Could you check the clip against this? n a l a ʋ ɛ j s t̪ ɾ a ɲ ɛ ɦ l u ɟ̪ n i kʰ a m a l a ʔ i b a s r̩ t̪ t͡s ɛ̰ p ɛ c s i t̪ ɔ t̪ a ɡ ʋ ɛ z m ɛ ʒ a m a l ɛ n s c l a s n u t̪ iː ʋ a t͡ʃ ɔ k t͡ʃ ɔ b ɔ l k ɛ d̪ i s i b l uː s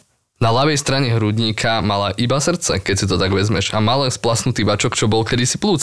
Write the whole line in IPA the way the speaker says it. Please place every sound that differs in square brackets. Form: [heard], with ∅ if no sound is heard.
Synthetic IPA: n a l a ʋ ɛ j s t̪ ɾ a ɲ ɛ ɦ [ɾ] u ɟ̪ [ɲ] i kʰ a m a l a ʔ i b a s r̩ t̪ t͡s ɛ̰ [k] ɛ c s i t̪ ɔ t̪ a ɡ ʋ ɛ z m ɛ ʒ a m a l ɛ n s [p] l a s n u t̪ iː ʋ a t͡ʃ ɔ k t͡ʃ ɔ b ɔ l k ɛ d̪ i s i [p] l uː [t͡s]